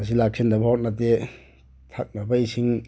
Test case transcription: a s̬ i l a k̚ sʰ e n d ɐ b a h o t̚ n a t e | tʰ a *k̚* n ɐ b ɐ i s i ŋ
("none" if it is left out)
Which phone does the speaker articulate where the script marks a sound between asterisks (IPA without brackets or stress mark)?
k̚